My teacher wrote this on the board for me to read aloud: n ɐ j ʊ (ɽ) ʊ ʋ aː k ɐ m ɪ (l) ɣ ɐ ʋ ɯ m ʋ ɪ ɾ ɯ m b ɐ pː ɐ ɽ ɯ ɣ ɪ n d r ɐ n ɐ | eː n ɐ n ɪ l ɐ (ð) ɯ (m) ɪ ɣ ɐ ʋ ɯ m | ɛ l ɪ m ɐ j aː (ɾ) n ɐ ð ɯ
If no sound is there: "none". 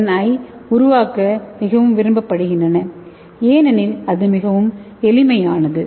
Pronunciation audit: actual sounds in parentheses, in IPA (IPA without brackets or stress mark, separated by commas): ɾ, none, ð, m, none